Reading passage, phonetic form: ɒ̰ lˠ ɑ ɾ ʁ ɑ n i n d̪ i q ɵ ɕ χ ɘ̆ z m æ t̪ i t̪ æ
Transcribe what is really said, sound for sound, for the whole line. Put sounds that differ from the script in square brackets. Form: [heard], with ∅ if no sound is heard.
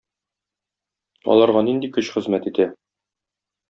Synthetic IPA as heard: ɒ̰ lˠ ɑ ɾ ʁ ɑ n i n d̪ i [k] ɵ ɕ χ ɘ̆ z m æ t̪ i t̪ æ